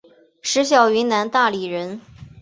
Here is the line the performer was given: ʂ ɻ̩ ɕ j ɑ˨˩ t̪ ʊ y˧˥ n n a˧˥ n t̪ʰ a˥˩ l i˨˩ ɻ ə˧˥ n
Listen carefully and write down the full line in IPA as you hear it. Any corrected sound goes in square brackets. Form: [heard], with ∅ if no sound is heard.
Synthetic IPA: ʂ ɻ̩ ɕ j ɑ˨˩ [∅] ʊ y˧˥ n n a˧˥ n [t̪] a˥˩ l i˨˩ ɻ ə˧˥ n

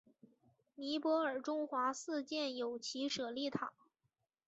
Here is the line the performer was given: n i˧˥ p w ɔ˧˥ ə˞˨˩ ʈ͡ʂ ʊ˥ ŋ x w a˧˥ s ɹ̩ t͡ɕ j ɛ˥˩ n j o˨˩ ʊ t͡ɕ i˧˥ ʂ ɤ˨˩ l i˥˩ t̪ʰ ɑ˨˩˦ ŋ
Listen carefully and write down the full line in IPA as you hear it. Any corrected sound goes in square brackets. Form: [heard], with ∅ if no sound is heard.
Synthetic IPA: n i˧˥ p w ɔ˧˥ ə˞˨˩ ʈ͡ʂ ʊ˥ ŋ x w a˧˥ s ɹ̩ t͡ɕ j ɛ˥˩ n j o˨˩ ʊ [t͡ɕʰ] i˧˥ ʂ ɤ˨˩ l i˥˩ t̪ʰ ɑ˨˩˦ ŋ

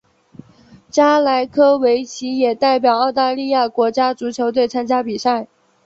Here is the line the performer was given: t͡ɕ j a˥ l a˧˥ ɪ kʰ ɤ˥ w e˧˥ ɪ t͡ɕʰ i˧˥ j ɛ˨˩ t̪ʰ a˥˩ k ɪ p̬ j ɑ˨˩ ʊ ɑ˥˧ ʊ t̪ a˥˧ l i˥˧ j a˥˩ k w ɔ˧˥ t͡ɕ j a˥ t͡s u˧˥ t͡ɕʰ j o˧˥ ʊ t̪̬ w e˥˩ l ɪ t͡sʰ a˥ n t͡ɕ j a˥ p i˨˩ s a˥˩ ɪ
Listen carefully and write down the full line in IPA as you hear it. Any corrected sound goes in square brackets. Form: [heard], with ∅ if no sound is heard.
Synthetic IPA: t͡ɕ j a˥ l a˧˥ ɪ kʰ ɤ˥ w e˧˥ ɪ t͡ɕʰ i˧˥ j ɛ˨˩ [t̪] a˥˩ [∅] ɪ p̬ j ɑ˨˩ ʊ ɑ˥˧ ʊ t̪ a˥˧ l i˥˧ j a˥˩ k w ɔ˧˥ t͡ɕ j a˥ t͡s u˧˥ t͡ɕʰ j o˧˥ ʊ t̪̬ w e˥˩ [∅] ɪ t͡sʰ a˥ n t͡ɕ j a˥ p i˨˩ s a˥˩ ɪ

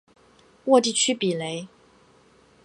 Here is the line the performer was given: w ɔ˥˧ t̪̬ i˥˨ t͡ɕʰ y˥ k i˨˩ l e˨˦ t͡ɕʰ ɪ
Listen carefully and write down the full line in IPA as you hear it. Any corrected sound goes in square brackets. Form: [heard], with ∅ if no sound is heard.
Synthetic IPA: w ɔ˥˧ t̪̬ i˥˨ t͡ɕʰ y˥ [p] i˨˩ l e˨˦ [∅] ɪ

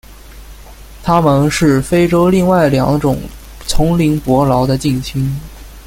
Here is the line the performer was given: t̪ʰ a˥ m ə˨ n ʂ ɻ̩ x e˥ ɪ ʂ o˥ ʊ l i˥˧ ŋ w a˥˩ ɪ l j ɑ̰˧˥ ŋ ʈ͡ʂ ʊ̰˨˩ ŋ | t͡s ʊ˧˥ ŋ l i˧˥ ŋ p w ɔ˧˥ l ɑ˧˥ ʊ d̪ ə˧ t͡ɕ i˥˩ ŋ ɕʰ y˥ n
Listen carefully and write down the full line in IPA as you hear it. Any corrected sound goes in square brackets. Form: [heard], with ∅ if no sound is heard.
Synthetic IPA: t̪ʰ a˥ m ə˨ n ʂ ɻ̩ [f] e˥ ɪ [ʈ͡ʂ] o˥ ʊ l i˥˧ ŋ w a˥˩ ɪ l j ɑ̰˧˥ ŋ ʈ͡ʂ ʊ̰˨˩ ŋ | [t͡sʰ] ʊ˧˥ ŋ l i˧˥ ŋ p w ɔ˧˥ l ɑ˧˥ ʊ d̪ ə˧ t͡ɕ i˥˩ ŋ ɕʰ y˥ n

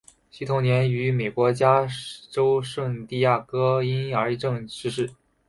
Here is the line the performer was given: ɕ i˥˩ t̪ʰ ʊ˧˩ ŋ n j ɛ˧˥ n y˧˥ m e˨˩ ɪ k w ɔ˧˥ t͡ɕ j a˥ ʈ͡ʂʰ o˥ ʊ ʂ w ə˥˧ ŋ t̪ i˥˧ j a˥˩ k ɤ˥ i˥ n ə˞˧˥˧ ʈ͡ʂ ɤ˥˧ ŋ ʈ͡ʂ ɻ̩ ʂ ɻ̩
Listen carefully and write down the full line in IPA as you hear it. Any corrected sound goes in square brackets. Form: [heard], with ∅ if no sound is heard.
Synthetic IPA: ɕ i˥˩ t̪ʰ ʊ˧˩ ŋ n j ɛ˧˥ n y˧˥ m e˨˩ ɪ k w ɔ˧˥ t͡ɕ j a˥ [ʈ͡ʂ] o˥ ʊ ʂ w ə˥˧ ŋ t̪ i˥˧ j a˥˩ k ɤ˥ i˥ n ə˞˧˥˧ ʈ͡ʂ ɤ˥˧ ŋ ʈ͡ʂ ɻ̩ ʂ ɻ̩

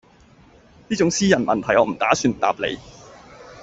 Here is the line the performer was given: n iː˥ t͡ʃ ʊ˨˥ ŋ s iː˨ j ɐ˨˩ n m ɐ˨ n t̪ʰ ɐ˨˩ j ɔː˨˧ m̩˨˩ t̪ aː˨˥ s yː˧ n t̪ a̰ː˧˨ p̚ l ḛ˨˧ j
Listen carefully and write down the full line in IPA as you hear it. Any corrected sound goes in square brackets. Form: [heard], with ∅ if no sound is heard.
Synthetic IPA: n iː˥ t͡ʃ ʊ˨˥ ŋ s [iː˥] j ɐ˨˩ n m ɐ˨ n t̪ʰ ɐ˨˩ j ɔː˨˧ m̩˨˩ t̪ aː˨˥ s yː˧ n t̪ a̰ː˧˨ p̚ l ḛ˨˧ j

